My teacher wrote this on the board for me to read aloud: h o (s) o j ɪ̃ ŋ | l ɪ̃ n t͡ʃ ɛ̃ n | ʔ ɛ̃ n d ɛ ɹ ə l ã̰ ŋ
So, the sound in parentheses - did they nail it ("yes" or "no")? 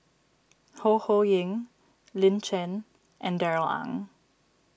no